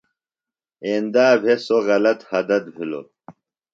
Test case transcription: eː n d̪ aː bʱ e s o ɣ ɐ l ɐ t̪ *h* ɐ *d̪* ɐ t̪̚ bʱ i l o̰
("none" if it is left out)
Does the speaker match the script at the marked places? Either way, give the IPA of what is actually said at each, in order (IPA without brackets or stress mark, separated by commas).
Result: h, d̪